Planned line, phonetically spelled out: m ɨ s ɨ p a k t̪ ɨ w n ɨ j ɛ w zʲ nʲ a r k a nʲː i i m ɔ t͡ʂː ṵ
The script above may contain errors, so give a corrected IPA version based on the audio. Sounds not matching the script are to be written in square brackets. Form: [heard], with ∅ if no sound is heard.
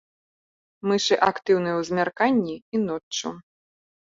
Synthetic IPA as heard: m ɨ [ʂ] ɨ [ʔ] a k t̪ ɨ w n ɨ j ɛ w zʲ [mʲ] a r k a nʲː i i [n] ɔ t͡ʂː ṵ